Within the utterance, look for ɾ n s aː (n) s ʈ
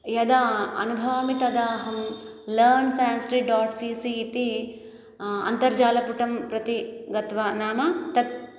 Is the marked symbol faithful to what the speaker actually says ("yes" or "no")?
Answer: yes